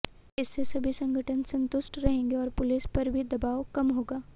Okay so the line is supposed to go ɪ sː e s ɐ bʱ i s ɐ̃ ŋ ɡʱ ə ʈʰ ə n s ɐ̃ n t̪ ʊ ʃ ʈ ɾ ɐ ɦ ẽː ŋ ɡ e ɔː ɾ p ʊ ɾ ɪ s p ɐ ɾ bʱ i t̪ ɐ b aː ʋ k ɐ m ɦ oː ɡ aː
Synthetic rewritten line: ɪ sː e s ɐ bʱ i s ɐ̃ ŋ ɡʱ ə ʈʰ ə n s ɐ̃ n t̪ ʊ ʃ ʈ ɾ ɐ ɦ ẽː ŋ ɡ e ɔː ɾ p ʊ l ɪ s p ɐ ɾ bʱ i d̪ ɐ b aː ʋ k ɐ m ɦ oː ɡ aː

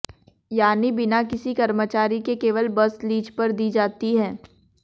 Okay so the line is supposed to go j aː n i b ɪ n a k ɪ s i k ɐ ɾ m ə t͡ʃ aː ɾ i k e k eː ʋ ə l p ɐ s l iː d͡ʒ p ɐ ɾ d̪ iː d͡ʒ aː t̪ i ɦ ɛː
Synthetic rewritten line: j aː n i b ɪ n a k ɪ s i k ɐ ɾ m ə t͡ʃ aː ɾ i k e k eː ʋ ə l b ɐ s l iː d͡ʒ p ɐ ɾ d̪ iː d͡ʒ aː t̪ i ɦ ɛː

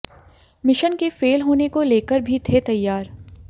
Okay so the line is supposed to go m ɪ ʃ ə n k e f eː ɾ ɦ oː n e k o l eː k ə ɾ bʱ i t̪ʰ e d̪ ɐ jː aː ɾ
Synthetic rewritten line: m ɪ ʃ ə n k e f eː l ɦ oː n e k o l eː k ə ɾ bʱ i t̪ʰ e t̪ ɐ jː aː ɾ

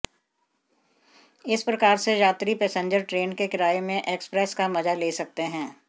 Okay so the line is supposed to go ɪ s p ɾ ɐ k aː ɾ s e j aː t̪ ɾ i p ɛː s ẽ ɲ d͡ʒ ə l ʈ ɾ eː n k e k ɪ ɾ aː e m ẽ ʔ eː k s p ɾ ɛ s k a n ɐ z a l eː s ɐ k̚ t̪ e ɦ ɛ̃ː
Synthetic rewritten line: ɪ s p ɾ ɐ k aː ɾ s e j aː t̪ ɾ i p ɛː s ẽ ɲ d͡ʒ ə ɾ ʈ ɾ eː n k e k ɪ ɾ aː e m ẽ ʔ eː k s p ɾ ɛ s k a m ɐ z a l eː s ɐ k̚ t̪ e ɦ ɛ̃ː

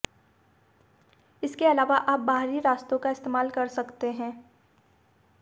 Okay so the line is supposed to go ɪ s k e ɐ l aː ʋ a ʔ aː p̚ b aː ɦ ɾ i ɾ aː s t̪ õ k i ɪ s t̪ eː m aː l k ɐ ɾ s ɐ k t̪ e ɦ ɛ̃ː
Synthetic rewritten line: ɪ s k e ɐ l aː ʋ a ʔ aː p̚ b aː ɦ ɾ i ɾ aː s t̪ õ k a ɪ s t̪ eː m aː l k ɐ ɾ s ɐ k t̪ e ɦ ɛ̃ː

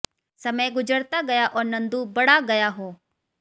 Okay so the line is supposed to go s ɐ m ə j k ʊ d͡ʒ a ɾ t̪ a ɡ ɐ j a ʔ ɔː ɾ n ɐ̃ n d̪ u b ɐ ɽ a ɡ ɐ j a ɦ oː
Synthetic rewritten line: s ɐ m ə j ɡ ʊ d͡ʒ ə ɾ t̪ a ɡ ɐ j a ʔ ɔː ɾ n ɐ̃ n d̪ u b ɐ ɽ a ɡ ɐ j a ɦ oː

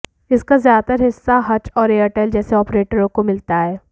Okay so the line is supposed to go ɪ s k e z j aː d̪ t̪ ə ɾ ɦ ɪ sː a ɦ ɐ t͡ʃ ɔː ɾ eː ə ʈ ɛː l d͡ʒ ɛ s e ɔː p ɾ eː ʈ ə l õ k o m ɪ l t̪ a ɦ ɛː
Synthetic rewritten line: ɪ s k a z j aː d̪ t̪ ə ɾ ɦ ɪ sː a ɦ ɐ t͡ʃ ɔː ɾ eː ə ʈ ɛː l d͡ʒ ɛː s e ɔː p ɾ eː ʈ ə ɾ õ k o m ɪ l t̪ a ɦ ɛː

